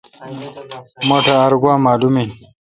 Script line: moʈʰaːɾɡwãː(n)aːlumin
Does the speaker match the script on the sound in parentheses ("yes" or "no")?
no